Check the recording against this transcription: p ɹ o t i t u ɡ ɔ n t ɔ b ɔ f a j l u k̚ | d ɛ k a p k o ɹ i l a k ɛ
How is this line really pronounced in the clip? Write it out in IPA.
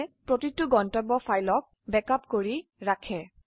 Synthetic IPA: p ɹ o t i t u ɡ ɔ n t ɔ b ɔ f a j l ɔ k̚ | b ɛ k a p k o ɹ i ɹ a kʰ ɛ